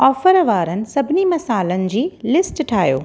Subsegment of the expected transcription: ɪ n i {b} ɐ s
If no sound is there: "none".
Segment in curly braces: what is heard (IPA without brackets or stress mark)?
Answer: m